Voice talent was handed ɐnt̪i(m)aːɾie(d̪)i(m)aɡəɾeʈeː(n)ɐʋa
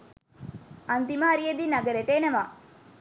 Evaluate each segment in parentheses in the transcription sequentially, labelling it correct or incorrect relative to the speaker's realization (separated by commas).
correct, correct, incorrect, correct